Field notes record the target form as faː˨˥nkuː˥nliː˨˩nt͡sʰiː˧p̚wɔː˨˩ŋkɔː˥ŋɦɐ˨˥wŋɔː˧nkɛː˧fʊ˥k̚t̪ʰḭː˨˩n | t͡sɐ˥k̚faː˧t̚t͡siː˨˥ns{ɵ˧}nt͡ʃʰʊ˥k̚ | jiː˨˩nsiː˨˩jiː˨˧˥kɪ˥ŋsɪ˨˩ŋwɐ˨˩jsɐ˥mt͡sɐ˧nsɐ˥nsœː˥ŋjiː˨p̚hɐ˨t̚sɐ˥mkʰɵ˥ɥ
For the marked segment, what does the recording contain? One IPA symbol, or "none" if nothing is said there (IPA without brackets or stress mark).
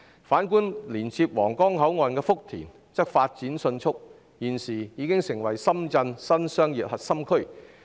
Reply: ɵ˧